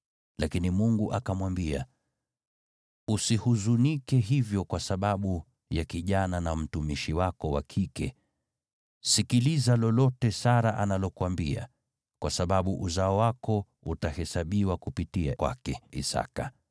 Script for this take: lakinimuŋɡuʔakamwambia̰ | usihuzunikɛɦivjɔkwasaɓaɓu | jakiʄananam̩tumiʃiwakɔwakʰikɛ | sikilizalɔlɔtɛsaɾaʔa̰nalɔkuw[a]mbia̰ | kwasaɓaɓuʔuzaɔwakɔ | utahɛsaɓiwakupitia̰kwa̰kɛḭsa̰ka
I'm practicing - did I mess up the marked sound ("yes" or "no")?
no